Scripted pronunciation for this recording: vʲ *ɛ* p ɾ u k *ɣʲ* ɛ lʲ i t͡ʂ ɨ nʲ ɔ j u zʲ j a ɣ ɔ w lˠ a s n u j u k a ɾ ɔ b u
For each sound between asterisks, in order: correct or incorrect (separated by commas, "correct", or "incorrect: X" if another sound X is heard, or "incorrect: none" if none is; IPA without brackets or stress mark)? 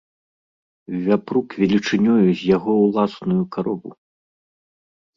incorrect: a, incorrect: vʲ